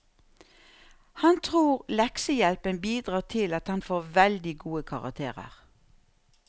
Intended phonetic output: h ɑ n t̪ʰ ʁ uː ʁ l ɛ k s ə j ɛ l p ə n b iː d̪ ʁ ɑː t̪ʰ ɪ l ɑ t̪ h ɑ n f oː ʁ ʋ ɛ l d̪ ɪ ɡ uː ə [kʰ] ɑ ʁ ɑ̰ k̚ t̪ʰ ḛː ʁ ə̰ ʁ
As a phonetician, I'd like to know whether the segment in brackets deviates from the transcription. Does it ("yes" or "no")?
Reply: no